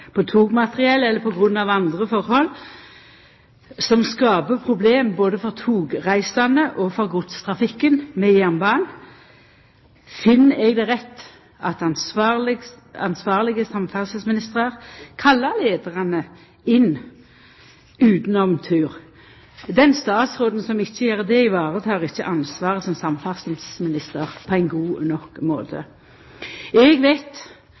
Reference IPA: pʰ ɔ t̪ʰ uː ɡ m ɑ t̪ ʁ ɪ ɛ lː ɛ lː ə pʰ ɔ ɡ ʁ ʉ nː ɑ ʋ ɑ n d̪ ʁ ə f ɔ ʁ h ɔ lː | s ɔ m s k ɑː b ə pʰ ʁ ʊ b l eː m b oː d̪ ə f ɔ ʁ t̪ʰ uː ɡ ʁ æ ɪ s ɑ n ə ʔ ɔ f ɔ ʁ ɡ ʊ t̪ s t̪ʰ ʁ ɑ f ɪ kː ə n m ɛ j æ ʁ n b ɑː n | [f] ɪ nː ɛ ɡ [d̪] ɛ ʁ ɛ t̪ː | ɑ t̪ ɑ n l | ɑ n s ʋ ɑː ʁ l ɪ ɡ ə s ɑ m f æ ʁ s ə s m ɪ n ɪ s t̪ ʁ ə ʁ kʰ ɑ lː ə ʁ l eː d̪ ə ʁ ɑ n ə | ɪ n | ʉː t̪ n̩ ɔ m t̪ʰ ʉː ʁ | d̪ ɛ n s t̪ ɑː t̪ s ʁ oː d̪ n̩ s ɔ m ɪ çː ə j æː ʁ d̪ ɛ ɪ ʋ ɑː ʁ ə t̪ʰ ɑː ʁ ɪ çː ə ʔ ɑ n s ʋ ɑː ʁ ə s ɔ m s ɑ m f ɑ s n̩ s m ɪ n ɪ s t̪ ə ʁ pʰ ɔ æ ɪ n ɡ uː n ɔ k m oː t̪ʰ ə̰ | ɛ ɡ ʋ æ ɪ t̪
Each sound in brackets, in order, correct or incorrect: correct, correct

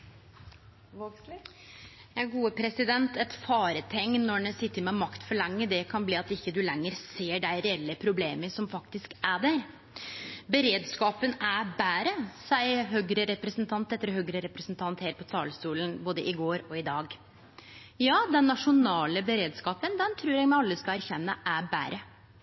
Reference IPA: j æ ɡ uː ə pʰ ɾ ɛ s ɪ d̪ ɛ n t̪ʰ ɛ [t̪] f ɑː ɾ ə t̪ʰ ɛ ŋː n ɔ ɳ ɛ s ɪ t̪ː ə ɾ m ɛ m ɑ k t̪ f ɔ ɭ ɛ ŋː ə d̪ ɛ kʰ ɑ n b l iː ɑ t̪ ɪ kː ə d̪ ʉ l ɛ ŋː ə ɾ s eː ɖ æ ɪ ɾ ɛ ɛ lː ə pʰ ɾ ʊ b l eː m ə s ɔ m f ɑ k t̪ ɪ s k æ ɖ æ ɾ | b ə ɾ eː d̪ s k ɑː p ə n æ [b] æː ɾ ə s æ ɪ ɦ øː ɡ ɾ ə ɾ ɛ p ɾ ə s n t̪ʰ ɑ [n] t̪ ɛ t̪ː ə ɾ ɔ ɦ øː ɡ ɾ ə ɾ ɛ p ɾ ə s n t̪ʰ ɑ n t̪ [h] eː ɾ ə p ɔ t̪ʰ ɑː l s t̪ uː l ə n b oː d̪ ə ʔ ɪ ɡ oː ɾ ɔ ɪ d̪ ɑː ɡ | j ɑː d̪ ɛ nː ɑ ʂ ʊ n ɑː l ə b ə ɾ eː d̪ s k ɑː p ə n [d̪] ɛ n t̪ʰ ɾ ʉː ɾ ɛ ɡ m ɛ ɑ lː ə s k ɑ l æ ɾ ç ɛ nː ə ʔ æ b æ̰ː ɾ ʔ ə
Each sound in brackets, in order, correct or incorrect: correct, correct, correct, correct, correct

